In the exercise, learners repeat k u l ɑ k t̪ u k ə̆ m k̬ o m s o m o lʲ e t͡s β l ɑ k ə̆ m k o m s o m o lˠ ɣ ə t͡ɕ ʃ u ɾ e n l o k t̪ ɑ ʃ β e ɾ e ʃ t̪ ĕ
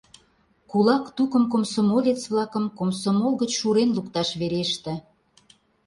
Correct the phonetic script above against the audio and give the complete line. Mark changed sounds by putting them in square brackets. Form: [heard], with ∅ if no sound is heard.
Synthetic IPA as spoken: k u l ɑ k t̪ u k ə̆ m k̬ o m s o m o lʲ e t͡s β l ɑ k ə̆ m k o m s o m o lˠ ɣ ə t͡ɕ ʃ u ɾ e n l [u] k t̪ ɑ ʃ β e ɾ e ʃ t̪ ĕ

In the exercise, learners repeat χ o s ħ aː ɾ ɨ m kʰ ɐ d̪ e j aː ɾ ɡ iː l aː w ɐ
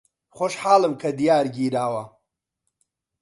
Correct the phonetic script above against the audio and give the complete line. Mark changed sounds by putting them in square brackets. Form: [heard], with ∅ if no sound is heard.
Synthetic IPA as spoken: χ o [ʃ] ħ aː [l] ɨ m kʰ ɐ d̪ [i] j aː ɾ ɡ iː [ɾ] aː w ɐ

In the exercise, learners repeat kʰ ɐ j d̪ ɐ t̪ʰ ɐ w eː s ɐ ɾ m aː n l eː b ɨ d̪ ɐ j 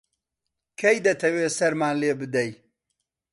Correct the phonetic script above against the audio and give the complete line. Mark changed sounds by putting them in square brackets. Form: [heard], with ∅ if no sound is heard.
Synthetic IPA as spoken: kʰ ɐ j d̪ ɐ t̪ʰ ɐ w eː s ɐ ɾ m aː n l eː b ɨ d̪ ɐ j

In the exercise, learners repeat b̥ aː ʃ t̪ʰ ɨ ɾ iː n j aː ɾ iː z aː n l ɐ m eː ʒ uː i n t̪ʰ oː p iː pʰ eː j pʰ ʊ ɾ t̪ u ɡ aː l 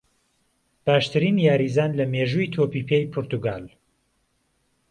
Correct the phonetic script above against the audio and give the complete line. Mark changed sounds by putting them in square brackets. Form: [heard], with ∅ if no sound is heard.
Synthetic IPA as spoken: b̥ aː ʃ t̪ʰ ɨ ɾ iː n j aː ɾ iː z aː n l ɐ m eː ʒ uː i [∅] t̪ʰ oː p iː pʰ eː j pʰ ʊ ɾ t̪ u ɡ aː l

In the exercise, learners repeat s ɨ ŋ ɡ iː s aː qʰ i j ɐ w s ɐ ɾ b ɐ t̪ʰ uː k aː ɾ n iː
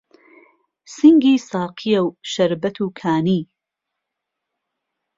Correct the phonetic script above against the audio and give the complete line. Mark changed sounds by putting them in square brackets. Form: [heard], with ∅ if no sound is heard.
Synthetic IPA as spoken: s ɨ ŋ ɡ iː s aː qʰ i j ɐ w [ʃ] ɐ ɾ b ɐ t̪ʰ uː [kʰ] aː [∅] n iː

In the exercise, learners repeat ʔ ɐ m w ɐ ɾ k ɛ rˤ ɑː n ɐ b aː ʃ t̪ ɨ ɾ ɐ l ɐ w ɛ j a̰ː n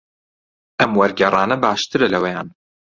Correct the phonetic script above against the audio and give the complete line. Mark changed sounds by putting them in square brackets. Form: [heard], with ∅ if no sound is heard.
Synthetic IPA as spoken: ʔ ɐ m w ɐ ɾ [ɡ] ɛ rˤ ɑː n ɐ b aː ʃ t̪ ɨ ɾ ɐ l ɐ w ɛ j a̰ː n

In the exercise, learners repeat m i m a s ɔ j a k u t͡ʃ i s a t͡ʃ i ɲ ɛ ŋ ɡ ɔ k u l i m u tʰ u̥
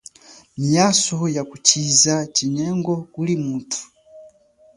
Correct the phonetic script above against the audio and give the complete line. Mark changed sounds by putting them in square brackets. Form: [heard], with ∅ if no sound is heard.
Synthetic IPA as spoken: m i [∅] a s ɔ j a k u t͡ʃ i [z] a t͡ʃ i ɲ ɛ ŋ ɡ ɔ k u l i m u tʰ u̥

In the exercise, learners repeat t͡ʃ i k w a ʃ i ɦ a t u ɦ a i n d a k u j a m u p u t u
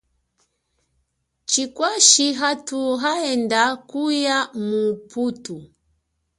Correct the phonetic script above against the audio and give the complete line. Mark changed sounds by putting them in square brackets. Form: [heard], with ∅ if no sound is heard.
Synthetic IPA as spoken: t͡ʃ i k w a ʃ i ɦ a t u ɦ a [ɛ] n d a k u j a m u p u t u

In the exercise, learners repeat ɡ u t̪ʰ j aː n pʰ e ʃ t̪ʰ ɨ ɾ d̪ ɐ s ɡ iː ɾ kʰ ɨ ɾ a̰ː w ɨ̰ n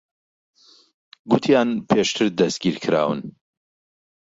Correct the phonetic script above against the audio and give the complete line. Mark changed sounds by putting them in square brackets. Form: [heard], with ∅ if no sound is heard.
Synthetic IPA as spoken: ɡ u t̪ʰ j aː n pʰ e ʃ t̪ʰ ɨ ɾ d̪ ɐ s ɡ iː ɾ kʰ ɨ ɾ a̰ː w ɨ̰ n

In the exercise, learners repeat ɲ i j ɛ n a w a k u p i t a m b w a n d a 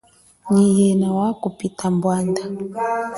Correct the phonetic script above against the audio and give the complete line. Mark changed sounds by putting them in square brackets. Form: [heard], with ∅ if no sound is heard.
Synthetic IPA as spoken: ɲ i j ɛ n a w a k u p i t a m b w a n d a

